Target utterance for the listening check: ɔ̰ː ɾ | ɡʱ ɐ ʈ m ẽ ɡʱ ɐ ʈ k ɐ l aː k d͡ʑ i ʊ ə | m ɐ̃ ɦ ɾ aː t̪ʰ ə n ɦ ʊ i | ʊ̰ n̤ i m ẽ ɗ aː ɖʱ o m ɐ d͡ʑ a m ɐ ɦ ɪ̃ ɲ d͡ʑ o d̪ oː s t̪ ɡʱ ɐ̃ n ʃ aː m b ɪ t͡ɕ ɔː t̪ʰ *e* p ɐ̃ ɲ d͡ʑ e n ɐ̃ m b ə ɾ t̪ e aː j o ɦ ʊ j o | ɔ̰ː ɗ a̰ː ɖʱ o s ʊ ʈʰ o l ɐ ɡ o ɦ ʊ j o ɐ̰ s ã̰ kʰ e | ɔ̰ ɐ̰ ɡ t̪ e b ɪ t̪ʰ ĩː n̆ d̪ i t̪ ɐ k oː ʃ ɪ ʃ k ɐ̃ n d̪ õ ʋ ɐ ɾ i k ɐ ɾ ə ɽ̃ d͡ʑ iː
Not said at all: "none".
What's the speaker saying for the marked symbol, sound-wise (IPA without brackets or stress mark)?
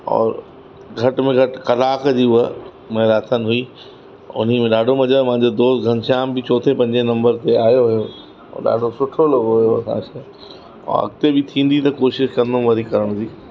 e